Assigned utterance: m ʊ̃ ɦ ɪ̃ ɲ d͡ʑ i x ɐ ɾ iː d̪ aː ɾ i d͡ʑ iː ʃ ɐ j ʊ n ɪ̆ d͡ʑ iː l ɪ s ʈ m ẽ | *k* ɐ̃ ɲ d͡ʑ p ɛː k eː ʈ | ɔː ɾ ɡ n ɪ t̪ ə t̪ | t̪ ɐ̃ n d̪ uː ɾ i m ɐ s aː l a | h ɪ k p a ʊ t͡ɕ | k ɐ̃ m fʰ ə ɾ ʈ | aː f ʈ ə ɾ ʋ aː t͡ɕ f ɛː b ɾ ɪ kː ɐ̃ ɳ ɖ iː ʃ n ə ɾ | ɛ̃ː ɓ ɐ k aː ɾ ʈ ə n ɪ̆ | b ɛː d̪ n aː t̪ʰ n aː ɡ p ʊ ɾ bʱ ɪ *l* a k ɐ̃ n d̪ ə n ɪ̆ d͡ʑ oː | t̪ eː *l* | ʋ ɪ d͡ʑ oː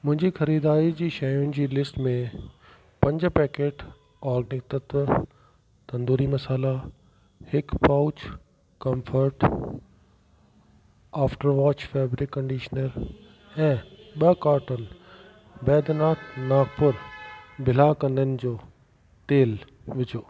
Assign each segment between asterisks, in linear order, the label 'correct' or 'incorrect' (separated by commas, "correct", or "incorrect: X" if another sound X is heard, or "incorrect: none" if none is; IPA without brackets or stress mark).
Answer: incorrect: p, correct, correct